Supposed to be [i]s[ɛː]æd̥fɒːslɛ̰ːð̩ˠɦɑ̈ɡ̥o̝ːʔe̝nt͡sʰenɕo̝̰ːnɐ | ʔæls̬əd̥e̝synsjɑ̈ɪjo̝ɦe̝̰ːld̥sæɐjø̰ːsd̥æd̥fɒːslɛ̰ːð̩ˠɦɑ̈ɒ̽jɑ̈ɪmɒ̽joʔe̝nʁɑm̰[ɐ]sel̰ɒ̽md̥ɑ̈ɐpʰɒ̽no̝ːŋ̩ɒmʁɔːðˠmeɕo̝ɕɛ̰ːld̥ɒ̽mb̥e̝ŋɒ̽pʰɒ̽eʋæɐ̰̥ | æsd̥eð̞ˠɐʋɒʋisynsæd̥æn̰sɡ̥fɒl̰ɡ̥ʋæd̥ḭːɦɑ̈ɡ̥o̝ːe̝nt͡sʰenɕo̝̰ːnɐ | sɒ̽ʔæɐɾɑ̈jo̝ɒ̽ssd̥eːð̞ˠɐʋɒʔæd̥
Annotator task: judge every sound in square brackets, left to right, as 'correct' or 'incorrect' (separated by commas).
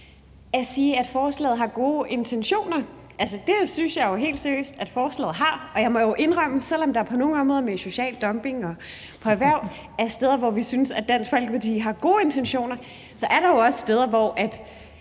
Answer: incorrect, incorrect, incorrect